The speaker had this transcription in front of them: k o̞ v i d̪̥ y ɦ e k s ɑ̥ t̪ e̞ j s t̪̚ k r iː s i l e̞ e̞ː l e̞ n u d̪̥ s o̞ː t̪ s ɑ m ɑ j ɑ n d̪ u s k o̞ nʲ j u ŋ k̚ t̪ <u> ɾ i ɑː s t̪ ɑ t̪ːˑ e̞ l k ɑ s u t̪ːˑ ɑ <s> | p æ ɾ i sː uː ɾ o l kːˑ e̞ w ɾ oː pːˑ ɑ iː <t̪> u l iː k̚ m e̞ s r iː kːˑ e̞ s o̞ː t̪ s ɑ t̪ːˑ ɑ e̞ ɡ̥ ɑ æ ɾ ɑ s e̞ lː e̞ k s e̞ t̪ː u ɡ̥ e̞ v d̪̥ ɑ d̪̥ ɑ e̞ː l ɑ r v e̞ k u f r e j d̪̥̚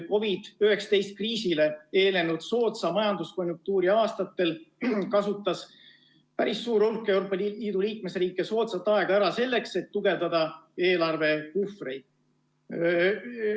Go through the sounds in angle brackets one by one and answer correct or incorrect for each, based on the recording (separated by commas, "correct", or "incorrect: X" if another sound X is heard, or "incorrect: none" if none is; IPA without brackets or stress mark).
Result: incorrect: uː, correct, incorrect: d̪